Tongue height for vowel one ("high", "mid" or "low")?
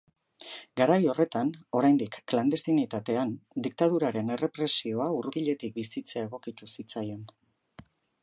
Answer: low